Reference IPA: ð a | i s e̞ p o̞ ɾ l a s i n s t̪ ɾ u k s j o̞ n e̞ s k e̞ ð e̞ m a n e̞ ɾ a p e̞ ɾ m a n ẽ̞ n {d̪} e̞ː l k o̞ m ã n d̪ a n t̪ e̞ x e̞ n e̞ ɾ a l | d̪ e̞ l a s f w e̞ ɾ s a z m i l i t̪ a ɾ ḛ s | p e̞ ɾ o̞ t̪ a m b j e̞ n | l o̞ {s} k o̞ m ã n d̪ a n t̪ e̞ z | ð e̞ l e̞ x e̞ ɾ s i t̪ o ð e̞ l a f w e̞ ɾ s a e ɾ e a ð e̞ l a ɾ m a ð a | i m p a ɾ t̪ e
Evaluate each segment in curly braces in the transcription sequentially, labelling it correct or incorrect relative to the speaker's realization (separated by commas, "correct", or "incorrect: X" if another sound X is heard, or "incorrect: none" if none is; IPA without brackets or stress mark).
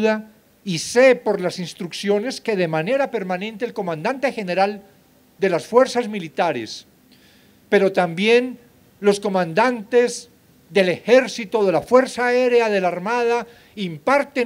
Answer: incorrect: t̪, correct